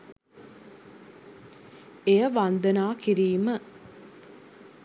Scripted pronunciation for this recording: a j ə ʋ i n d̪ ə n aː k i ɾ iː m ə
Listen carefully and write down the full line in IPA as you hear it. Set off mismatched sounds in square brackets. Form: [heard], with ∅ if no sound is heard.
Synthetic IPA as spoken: [e] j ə ʋ [a] n d̪ ə n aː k i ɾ iː m ə